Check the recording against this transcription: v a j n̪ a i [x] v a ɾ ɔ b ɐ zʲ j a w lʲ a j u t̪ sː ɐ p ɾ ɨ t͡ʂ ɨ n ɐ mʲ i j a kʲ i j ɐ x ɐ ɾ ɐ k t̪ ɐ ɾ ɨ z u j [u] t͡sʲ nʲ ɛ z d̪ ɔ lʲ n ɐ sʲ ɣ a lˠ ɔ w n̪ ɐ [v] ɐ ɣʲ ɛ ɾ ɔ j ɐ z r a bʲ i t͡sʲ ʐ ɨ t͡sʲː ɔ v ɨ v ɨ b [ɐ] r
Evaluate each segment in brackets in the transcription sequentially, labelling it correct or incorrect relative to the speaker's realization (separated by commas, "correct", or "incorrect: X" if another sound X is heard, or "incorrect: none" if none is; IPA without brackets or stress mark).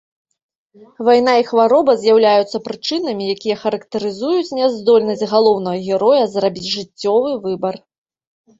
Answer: correct, correct, incorrect: ɣ, correct